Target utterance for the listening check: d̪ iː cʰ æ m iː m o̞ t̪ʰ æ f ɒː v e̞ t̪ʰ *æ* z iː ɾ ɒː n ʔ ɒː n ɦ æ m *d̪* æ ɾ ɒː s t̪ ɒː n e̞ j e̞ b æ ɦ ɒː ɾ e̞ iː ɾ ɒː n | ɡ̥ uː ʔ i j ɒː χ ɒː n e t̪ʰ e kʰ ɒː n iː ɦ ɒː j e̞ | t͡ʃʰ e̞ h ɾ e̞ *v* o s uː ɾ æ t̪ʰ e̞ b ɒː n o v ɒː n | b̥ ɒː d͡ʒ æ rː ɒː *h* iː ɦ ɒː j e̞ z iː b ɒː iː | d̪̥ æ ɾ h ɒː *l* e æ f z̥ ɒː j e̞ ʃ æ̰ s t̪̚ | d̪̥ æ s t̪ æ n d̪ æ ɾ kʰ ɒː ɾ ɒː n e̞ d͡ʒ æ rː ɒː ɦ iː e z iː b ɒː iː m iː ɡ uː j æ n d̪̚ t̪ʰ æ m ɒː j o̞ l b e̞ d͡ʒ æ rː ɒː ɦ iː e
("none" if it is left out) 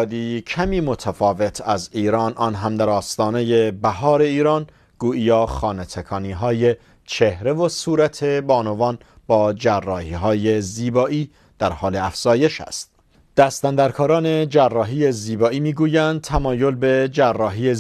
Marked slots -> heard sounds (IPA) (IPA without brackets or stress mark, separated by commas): æ, d̪, v, h, l